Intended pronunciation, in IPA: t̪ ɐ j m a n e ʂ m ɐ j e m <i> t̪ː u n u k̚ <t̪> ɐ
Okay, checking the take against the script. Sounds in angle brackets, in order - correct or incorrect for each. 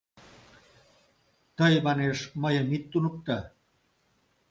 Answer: correct, correct

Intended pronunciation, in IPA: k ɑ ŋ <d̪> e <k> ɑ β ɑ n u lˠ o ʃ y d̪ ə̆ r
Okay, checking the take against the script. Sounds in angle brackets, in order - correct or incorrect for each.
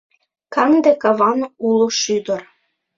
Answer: correct, correct

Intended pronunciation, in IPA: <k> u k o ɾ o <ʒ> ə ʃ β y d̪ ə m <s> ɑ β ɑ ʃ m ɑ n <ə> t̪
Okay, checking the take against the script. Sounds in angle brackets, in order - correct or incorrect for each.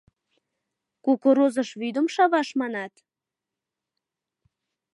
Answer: correct, incorrect: z, incorrect: ʃ, incorrect: ɑ

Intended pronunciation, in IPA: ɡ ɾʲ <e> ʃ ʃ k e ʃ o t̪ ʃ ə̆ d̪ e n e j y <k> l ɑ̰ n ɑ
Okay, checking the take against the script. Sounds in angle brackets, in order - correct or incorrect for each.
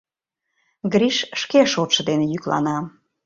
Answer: incorrect: i, correct

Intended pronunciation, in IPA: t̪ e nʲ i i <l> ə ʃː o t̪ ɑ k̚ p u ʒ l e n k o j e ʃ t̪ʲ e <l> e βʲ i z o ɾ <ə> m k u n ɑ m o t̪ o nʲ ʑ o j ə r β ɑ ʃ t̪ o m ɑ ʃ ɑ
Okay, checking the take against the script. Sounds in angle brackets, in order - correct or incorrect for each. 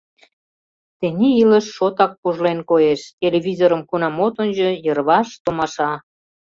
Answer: correct, correct, correct

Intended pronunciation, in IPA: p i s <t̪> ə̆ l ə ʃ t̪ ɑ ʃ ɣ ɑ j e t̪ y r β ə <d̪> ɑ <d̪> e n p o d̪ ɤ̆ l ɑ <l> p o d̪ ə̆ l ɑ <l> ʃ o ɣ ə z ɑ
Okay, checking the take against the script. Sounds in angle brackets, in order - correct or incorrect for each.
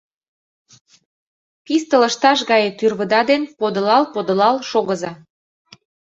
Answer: correct, correct, correct, correct, correct

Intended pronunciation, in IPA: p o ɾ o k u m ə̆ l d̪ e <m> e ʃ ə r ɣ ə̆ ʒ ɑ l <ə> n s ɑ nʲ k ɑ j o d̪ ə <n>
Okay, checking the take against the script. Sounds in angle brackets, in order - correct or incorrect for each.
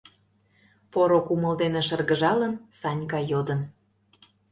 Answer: incorrect: n, correct, correct

